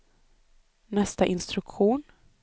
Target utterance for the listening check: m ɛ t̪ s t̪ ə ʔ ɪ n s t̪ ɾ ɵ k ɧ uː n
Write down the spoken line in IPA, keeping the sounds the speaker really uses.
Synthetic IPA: n ɛ s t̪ a ʔ ɪ n s t̪ ɾ ɵ k ɧ uː n